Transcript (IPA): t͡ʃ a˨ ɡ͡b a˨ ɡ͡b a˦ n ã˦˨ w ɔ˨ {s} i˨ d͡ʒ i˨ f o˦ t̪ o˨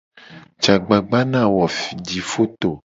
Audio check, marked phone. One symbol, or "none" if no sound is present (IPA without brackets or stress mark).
f